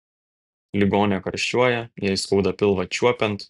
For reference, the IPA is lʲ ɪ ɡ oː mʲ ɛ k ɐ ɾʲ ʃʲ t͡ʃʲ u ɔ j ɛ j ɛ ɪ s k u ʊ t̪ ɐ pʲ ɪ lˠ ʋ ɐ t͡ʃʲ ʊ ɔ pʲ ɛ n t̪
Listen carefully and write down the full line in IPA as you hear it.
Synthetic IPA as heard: lʲ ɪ ɡ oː nʲ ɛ k ɐ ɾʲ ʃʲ t͡ʃʲ u ɔ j ɛ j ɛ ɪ s k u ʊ d̪ ɐ pʲ ɪ lˠ ʋ ɐ t͡ʃʲ u ɔ pʲ ɛ n t̪